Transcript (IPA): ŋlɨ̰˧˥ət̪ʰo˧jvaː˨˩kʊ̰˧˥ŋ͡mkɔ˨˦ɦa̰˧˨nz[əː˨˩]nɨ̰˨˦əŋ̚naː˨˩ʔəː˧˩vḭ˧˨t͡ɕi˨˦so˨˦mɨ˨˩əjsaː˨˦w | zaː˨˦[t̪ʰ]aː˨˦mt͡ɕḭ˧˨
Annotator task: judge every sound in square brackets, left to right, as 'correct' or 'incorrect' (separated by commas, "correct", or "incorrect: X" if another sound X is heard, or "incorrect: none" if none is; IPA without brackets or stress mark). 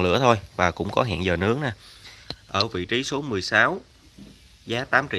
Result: correct, incorrect: t̪